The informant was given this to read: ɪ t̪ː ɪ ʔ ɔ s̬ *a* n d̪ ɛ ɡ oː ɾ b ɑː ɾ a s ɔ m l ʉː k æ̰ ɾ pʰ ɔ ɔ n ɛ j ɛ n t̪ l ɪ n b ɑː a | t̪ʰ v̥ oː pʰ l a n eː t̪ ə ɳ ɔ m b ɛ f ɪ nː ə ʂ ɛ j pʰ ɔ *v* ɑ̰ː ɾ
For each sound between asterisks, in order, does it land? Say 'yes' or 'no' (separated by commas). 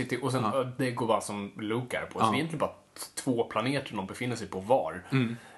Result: no, yes